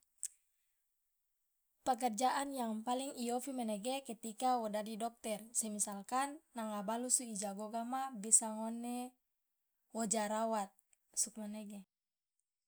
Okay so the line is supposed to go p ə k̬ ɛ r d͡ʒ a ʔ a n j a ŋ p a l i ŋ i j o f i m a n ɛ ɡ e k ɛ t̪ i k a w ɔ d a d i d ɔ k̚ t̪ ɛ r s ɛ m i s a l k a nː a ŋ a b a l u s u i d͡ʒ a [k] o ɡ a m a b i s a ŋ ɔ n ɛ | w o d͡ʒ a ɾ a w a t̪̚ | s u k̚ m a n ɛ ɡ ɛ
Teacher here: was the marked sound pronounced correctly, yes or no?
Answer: no